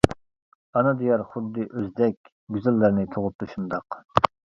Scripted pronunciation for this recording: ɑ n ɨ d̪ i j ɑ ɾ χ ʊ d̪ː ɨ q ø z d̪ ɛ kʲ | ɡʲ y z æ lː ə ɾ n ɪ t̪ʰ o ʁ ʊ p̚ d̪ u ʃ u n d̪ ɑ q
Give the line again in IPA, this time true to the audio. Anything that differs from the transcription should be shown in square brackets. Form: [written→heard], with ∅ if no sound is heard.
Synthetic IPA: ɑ n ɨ d̪ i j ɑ ɾ χ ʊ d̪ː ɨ [q→ʔ] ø z d̪ ɛ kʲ | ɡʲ y z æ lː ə ɾ n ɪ t̪ʰ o ʁ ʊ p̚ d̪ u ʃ u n d̪ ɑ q